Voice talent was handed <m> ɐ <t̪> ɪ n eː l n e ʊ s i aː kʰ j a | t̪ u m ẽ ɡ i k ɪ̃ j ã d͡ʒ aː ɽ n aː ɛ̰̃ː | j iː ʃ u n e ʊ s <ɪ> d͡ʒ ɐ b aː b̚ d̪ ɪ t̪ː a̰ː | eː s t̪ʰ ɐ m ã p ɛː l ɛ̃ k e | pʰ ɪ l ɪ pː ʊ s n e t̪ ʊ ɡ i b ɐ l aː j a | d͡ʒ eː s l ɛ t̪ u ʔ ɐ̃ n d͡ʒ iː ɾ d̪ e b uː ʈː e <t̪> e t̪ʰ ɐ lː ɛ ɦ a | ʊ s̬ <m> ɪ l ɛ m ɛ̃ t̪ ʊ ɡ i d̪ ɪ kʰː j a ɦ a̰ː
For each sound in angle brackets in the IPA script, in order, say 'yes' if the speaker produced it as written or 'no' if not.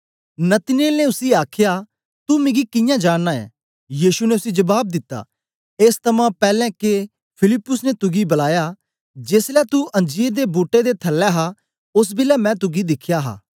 no, yes, no, no, no

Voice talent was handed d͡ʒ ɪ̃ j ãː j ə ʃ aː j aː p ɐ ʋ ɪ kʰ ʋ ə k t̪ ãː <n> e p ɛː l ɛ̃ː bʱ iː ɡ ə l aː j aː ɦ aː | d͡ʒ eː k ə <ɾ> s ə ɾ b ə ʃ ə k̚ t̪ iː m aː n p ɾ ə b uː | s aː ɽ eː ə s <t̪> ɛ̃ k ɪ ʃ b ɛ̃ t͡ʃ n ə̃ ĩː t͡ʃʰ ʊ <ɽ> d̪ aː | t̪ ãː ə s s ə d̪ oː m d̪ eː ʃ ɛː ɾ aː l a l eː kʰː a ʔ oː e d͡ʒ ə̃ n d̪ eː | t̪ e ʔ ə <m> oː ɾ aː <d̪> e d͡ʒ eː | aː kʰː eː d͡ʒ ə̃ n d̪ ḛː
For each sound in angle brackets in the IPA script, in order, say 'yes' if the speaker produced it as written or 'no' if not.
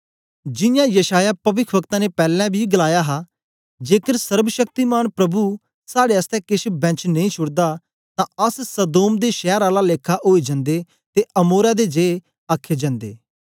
yes, yes, yes, yes, yes, yes

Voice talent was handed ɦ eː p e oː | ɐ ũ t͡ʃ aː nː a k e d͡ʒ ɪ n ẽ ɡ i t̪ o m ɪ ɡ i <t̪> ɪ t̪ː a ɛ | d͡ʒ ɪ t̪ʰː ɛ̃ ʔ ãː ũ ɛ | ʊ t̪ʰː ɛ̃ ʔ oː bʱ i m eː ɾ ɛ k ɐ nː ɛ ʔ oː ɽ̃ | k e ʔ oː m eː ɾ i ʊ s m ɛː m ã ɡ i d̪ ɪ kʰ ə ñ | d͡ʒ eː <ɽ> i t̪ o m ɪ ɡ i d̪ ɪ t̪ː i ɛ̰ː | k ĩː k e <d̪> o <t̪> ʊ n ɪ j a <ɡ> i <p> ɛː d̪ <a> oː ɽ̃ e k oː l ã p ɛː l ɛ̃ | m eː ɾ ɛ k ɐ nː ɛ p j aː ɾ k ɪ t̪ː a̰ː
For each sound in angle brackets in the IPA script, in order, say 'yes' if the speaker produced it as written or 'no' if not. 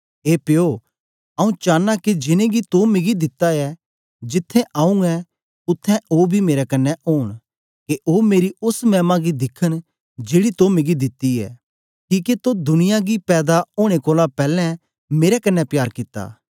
no, yes, no, no, yes, yes, yes

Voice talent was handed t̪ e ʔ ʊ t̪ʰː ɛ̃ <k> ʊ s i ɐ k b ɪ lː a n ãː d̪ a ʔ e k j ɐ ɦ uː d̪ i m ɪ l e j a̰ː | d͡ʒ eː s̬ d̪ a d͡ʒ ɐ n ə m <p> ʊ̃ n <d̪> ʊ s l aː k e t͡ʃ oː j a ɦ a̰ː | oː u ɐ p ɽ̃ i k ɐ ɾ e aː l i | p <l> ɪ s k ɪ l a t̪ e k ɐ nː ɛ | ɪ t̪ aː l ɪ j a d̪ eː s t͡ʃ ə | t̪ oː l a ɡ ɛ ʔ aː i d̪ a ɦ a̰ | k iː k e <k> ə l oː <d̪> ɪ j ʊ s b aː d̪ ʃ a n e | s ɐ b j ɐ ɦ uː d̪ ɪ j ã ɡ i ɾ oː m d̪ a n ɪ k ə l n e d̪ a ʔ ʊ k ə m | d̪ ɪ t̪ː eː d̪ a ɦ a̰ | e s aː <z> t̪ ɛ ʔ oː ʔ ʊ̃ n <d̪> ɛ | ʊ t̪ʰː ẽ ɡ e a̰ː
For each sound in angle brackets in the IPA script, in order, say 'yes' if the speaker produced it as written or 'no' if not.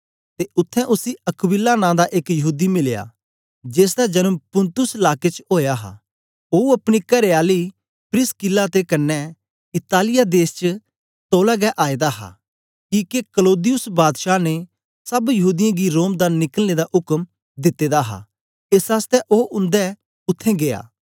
no, yes, no, no, yes, yes, no, yes

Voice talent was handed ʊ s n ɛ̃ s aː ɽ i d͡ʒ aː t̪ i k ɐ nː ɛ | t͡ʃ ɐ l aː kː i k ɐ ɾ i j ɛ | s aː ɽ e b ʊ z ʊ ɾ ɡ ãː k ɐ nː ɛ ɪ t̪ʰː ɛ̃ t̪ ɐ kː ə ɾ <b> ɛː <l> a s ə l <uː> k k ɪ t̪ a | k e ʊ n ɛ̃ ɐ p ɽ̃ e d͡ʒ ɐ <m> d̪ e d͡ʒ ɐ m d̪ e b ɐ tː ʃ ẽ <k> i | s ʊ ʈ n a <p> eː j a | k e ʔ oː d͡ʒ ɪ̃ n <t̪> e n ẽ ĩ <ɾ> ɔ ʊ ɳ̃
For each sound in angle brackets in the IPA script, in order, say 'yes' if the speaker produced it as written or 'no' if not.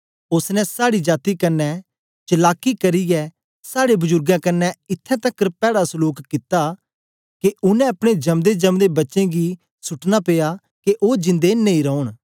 no, no, yes, yes, no, yes, no, yes

